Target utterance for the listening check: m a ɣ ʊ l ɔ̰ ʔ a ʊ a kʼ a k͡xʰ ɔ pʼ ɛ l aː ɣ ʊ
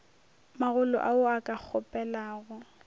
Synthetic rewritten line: m a ɣ ʊ l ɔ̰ ʔ a ʊ a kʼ a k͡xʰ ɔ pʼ ɛ l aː ɣ ʊ